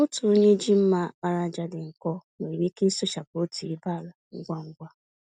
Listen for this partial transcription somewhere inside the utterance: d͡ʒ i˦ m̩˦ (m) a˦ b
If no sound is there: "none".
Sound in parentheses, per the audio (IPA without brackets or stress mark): m